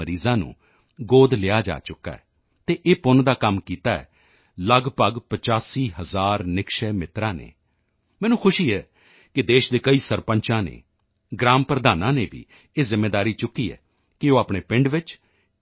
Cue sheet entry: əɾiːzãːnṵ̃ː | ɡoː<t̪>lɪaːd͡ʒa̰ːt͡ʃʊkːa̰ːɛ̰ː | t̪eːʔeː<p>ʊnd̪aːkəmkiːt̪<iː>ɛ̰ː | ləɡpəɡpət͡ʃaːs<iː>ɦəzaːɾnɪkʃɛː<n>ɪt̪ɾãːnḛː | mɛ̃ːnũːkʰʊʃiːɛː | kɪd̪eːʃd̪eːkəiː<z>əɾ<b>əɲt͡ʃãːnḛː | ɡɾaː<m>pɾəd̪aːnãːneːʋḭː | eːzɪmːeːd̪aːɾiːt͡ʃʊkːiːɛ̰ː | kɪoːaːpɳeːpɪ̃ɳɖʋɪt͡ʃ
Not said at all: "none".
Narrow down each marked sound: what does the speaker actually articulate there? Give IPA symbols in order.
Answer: d̪, p, aː, iː, m, s, p, m

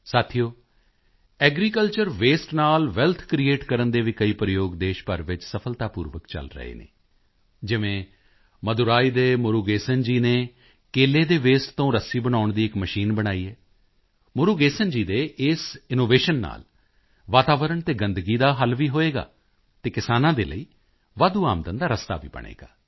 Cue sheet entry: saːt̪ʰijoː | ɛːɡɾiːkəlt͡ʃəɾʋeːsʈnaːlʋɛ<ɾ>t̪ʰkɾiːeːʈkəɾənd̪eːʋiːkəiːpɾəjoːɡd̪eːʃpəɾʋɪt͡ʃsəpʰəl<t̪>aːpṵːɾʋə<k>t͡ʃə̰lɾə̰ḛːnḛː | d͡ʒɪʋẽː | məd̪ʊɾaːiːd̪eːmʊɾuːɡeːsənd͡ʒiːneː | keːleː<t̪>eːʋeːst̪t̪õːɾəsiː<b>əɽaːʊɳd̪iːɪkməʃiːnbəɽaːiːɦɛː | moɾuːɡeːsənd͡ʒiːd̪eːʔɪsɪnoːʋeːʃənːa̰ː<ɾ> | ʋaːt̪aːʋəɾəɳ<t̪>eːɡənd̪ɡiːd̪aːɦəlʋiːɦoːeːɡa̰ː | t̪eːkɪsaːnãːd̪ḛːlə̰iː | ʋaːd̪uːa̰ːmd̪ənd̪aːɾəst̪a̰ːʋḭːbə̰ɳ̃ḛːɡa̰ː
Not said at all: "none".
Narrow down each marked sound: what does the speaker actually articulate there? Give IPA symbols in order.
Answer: l, t̪, k, d̪, b, l, t̪

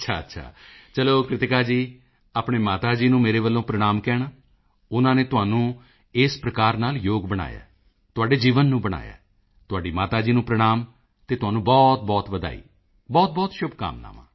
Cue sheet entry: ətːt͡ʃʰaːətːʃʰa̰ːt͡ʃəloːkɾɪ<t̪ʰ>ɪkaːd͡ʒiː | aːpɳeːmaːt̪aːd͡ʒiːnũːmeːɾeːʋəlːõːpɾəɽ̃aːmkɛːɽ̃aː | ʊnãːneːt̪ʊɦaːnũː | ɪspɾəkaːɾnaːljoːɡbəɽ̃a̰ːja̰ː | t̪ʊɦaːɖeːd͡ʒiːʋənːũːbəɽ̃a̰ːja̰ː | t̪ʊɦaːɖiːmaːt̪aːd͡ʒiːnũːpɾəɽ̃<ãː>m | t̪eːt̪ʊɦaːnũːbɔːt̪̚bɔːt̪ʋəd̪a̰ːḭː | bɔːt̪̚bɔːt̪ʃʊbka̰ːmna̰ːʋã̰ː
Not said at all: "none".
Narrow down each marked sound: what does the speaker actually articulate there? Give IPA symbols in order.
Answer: t̪, aː

